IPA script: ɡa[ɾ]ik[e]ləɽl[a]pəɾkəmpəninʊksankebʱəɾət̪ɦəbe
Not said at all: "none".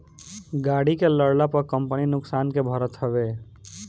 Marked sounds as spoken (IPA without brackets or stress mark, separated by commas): ɽ, e, a